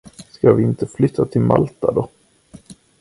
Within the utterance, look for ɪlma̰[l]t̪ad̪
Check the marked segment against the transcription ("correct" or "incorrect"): correct